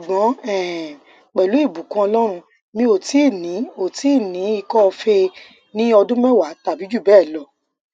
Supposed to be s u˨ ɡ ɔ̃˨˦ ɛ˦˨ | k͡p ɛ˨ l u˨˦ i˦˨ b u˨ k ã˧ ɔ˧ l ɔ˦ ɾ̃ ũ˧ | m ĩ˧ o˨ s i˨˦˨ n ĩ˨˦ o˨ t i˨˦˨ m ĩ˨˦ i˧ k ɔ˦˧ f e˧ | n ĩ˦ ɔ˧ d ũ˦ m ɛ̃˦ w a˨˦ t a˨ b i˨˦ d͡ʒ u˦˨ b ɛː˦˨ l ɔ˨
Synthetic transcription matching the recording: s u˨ ɡ͡b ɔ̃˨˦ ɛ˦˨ | k͡p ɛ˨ l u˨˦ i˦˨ b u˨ k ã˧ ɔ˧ l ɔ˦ ɾ̃ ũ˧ | m ĩ˧ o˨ t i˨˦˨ n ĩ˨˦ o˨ t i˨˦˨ n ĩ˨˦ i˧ k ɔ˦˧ f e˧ | n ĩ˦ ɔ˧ d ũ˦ m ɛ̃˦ w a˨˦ t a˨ b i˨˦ d͡ʒ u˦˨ b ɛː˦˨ l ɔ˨